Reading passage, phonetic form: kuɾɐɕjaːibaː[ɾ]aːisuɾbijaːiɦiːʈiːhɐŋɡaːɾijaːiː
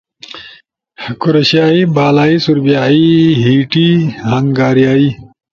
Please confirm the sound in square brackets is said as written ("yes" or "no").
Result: no